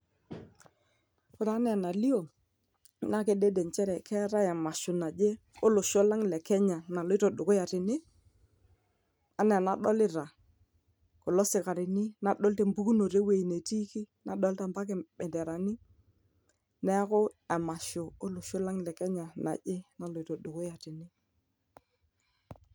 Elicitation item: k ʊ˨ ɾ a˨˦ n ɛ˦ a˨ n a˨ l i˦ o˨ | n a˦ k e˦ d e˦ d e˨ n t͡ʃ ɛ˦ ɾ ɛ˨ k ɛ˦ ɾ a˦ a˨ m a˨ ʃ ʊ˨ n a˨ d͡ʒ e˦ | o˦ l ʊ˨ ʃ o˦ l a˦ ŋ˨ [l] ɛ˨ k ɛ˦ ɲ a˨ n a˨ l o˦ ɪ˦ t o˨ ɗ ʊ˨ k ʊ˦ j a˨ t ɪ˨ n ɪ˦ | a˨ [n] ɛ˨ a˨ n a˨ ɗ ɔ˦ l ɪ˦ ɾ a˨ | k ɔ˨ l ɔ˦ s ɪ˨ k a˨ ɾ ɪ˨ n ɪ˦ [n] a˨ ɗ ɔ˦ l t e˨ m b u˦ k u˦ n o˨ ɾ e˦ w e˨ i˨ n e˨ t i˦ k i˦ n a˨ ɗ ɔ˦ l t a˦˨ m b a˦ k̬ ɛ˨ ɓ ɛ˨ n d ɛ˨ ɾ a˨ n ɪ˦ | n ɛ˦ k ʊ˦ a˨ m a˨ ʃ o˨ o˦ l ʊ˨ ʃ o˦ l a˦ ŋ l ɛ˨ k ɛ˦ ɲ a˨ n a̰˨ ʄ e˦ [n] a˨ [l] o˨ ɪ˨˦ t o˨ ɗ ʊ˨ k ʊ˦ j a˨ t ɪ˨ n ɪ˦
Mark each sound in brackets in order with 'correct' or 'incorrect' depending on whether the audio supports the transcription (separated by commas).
correct, correct, correct, correct, correct